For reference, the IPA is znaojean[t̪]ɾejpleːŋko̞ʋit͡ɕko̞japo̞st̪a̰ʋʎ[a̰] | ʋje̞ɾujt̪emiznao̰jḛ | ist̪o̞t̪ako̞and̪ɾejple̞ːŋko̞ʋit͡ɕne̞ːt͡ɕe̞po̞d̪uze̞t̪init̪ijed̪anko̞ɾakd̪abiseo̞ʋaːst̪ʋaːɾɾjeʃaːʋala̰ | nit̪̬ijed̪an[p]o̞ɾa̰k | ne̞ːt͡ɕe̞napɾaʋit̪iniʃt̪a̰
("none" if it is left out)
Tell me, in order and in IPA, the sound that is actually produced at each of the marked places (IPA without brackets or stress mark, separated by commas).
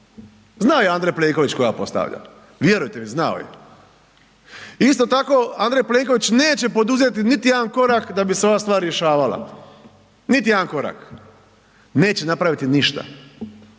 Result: d̪, a̰, k